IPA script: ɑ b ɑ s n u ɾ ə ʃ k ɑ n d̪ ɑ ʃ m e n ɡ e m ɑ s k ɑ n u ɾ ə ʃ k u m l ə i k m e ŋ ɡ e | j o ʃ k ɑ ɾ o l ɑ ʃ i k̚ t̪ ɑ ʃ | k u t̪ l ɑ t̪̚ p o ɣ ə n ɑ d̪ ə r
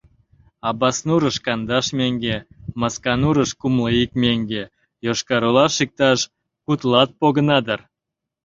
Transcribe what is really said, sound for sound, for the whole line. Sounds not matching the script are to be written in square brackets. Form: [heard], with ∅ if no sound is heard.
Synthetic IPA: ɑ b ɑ s n u ɾ ə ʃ k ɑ n d̪ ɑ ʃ m e [ŋ] ɡ e m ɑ s k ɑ n u ɾ ə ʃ k u m l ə i k m e ŋ ɡ e | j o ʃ k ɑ ɾ o l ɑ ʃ i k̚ t̪ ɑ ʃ | k u t̪ l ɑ t̪̚ p o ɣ ə n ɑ d̪ ə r